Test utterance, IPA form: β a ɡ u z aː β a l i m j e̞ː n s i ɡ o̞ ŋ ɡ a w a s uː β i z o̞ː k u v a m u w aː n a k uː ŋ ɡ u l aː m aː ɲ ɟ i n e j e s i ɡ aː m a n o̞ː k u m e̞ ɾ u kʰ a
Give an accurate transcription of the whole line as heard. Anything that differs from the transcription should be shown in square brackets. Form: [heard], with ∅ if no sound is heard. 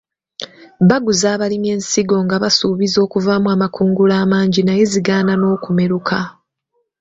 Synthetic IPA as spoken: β a ɡ u z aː β a l i m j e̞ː n s i ɡ o̞ ŋ ɡ a [β] a s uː β i z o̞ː k u v a m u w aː [m] a k uː ŋ ɡ u l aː m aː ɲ ɟ i n [a] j e [z] i ɡ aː [n] a n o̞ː k u m e̞ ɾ u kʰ a